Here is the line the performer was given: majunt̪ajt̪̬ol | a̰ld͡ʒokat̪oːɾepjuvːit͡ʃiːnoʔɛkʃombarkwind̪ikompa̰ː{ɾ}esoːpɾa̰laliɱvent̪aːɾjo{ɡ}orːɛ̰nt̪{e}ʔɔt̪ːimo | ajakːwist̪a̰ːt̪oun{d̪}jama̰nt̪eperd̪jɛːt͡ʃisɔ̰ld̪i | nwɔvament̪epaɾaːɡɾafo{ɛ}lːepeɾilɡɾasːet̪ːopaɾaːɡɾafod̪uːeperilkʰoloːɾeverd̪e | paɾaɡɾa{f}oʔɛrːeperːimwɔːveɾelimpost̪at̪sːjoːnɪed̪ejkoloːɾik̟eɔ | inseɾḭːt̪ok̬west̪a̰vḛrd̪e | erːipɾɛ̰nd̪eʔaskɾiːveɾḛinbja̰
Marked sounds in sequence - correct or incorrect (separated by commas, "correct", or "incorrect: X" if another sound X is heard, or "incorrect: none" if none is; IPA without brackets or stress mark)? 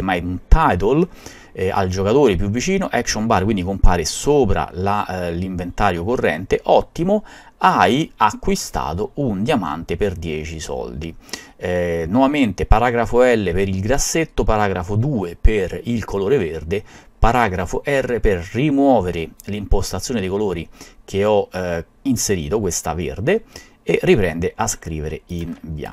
correct, incorrect: k, correct, correct, correct, correct